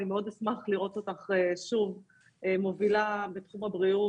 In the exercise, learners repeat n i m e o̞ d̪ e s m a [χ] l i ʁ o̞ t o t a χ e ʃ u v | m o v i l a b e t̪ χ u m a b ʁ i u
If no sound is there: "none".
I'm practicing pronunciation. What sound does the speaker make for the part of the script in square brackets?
χ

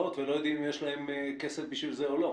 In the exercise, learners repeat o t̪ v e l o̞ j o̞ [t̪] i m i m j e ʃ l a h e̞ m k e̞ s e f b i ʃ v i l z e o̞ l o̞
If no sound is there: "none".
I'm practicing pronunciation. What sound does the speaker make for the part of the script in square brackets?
d̪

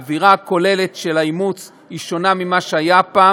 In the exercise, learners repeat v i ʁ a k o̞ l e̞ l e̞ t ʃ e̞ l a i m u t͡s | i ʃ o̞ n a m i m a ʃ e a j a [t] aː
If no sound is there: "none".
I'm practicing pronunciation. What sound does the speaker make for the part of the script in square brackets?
p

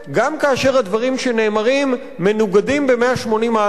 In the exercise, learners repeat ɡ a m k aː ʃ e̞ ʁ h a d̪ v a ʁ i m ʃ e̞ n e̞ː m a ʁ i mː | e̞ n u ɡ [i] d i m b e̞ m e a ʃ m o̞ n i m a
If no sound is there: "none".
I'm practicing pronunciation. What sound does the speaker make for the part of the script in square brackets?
a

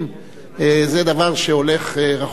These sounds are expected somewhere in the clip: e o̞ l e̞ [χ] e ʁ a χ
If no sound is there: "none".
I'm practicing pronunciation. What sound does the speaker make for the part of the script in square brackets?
χ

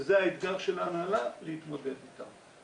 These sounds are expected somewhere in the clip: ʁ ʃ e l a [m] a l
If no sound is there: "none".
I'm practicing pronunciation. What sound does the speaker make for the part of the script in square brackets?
n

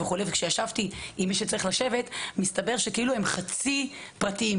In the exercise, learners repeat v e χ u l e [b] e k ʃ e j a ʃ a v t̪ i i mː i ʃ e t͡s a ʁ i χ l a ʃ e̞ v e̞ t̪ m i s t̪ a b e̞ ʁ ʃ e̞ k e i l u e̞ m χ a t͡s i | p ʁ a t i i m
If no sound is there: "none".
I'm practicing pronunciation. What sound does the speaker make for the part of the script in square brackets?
v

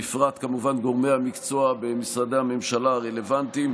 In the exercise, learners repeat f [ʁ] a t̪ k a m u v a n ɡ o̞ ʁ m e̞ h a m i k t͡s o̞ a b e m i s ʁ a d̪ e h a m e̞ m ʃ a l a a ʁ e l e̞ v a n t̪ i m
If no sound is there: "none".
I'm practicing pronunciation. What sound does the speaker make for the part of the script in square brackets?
ʁ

